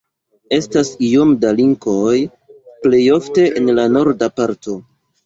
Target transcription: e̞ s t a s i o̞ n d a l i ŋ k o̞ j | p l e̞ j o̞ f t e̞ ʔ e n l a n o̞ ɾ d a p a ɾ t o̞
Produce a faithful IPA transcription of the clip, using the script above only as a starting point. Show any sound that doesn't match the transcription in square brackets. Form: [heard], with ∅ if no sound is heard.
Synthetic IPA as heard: e̞ s t a s i o̞ [m] d a l i ŋ k o̞ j | p l e̞ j o̞ f t e̞ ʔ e n l a n o̞ ɾ d a p a ɾ t o̞